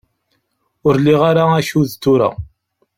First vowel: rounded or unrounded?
rounded